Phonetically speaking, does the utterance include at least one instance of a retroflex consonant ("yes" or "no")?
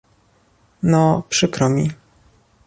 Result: yes